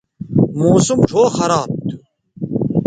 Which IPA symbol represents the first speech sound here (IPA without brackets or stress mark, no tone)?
m